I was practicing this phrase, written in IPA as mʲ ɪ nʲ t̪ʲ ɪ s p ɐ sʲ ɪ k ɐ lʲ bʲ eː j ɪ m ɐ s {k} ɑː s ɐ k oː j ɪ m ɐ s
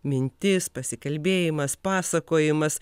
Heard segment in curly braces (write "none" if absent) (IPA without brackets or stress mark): p